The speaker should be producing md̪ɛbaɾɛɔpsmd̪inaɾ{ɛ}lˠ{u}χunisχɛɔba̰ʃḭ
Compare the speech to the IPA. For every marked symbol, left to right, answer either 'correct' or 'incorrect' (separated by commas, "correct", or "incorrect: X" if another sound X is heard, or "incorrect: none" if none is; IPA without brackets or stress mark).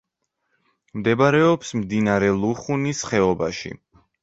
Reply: correct, correct